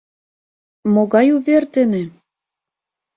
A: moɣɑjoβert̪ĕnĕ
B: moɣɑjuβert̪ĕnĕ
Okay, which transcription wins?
B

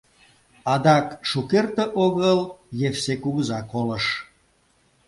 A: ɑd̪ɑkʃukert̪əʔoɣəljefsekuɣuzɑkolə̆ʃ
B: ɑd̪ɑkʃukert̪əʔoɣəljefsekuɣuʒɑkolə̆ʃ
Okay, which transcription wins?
A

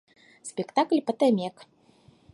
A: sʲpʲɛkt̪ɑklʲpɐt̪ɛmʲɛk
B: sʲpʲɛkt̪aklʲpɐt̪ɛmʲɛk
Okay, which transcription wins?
B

